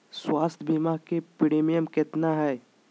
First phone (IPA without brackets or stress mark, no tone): s